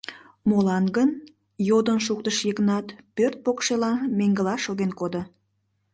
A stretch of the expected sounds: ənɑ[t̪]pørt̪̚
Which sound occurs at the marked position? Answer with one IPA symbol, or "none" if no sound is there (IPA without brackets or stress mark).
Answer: t̪